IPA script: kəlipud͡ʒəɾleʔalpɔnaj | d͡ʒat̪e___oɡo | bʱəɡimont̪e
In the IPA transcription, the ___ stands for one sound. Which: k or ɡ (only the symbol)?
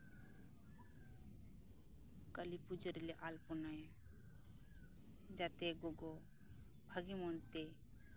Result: ɡ